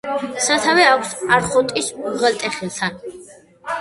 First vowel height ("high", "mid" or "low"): low